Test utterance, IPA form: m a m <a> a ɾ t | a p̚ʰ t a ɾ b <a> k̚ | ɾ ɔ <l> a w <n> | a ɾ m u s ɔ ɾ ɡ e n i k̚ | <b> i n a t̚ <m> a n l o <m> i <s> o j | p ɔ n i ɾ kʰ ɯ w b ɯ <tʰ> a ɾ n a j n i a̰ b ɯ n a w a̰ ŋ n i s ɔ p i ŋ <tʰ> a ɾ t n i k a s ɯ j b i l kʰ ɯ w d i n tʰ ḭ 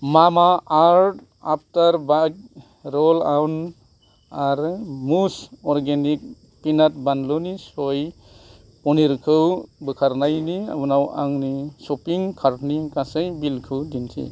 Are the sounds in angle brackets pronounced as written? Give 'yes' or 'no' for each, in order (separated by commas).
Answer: yes, yes, yes, yes, no, no, no, yes, no, no